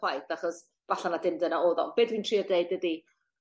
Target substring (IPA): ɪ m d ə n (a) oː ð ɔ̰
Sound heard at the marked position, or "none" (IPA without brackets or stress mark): a